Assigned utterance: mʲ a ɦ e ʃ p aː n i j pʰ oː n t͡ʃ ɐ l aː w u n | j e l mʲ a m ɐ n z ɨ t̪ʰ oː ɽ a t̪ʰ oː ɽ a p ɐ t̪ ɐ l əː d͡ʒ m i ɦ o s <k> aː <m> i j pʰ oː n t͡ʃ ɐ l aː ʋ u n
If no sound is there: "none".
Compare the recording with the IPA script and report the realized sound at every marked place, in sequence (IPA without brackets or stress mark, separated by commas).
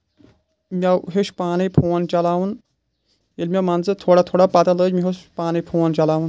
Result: p, n